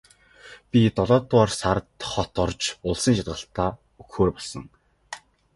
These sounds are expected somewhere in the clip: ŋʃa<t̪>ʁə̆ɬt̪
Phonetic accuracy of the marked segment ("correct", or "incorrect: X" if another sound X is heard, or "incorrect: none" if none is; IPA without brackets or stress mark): correct